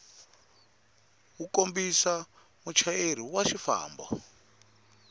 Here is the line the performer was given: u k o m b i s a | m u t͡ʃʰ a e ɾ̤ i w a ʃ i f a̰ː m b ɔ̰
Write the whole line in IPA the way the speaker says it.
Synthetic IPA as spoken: u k o m b i s a | m u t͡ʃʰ a e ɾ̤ i w a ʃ i f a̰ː m b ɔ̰